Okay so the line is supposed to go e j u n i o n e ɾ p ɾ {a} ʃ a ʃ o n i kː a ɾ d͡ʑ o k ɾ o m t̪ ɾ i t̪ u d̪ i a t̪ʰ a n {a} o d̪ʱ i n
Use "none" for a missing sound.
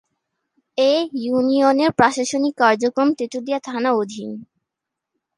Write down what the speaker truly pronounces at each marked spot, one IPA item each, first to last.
a, a

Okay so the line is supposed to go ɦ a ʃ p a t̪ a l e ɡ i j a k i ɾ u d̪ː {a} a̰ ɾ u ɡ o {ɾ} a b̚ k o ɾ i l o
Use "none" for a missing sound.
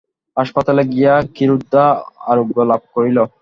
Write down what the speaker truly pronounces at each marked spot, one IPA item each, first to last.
a, l

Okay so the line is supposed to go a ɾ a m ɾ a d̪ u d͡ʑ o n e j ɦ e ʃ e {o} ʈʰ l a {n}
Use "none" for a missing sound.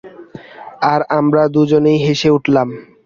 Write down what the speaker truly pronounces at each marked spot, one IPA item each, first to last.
u, m

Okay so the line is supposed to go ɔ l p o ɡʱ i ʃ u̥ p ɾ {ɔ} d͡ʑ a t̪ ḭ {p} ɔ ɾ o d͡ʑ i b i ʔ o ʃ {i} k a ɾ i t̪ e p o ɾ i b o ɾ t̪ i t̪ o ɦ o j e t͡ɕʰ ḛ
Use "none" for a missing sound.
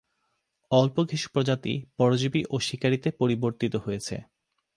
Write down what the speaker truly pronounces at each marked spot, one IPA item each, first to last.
o, p, i

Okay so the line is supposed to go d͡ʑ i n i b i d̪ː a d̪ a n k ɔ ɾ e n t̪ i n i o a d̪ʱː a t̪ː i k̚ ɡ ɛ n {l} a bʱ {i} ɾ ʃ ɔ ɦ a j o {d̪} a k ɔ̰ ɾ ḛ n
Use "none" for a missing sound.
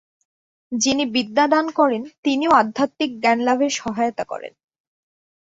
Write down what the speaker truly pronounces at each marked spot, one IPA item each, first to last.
l, e, t̪

